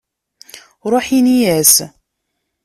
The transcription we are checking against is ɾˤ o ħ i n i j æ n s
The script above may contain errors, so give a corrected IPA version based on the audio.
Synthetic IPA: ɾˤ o ħ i n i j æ s